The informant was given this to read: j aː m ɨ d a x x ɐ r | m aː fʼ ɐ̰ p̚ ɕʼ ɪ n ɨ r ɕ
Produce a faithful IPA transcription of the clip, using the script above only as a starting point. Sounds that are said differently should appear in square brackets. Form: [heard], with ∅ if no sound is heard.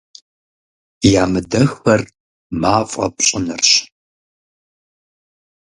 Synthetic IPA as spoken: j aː m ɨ d [ɐ] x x ɐ r | m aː fʼ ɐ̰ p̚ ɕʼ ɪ n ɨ r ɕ